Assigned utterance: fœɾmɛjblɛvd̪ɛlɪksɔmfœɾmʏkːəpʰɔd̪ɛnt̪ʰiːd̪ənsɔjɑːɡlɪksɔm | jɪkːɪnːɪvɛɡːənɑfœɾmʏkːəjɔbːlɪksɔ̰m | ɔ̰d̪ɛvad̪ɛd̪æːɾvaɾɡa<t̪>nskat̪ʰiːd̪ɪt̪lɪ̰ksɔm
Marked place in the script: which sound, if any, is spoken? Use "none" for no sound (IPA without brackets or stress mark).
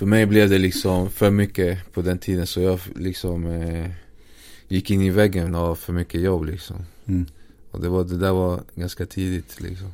none